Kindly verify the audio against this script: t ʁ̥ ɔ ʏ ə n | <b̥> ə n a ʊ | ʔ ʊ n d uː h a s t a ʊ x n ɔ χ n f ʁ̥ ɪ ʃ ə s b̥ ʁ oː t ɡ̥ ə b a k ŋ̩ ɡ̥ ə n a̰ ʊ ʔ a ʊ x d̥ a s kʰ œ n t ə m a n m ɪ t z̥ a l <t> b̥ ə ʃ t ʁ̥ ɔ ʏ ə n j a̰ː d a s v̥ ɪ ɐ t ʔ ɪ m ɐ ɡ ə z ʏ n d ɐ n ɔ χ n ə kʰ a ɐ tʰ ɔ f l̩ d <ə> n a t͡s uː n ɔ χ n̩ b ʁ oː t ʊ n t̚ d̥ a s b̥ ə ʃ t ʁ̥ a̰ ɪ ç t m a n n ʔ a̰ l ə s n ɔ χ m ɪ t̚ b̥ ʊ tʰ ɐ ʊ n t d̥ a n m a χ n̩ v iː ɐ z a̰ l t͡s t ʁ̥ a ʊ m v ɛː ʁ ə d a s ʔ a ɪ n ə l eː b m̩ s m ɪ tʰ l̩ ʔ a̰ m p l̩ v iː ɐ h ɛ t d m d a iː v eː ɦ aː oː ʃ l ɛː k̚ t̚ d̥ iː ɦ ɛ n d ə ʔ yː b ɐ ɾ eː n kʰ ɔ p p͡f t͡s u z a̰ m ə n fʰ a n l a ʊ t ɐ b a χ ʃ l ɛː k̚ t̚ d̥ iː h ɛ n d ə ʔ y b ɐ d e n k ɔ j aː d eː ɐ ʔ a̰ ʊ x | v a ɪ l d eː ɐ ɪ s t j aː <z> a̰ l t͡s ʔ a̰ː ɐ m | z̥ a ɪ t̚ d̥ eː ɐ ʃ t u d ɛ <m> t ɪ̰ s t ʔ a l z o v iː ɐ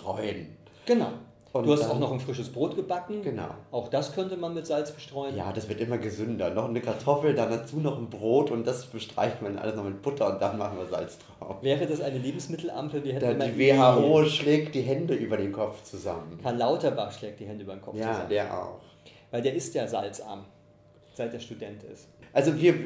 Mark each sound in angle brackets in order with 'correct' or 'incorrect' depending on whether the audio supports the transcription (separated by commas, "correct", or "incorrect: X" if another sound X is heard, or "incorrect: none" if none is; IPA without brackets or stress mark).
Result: incorrect: ɡ̥, incorrect: t͡s, incorrect: a, correct, incorrect: n